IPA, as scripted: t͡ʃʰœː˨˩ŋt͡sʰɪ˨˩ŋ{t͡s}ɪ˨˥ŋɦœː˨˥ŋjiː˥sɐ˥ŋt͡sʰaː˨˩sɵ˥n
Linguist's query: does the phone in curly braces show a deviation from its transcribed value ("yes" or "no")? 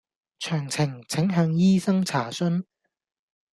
yes